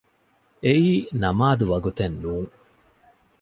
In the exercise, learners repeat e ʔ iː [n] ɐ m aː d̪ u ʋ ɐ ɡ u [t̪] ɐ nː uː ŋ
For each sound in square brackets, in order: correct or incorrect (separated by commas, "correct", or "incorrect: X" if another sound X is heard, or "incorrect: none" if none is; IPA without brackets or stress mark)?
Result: correct, correct